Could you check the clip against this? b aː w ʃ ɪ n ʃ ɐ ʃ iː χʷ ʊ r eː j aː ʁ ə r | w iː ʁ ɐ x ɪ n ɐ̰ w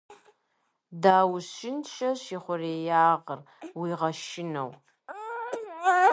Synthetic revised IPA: d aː w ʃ ɪ n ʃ ɐ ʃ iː χʷ ʊ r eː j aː ʁ ə r | w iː ʁ ɐ ʃ ɪ n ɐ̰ w